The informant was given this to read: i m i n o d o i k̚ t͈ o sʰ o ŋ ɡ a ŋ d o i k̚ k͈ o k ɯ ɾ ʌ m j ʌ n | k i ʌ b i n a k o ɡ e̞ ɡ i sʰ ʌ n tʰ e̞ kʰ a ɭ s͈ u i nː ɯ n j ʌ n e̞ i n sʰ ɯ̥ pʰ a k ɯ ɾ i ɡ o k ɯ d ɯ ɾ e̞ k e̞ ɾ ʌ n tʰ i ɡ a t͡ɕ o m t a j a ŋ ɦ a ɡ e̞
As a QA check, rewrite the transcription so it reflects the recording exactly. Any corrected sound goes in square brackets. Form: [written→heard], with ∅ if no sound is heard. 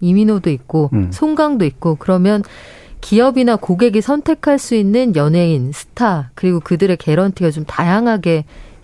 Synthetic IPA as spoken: i m i n o d o i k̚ [t͈→k͈] o sʰ o ŋ ɡ a ŋ d o i k̚ k͈ o k ɯ ɾ ʌ m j ʌ n | k i ʌ b i n a k o ɡ e̞ ɡ i sʰ ʌ n tʰ e̞ kʰ a ɭ s͈ u i nː ɯ n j ʌ n e̞ i n sʰ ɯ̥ [pʰ→tʰ] a k ɯ ɾ i ɡ o k ɯ d ɯ ɾ e̞ k e̞ ɾ ʌ n tʰ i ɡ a t͡ɕ o m t a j a ŋ ɦ a ɡ e̞